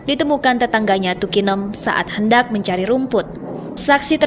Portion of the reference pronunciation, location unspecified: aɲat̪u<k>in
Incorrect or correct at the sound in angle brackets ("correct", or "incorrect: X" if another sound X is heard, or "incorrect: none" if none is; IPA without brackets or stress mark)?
correct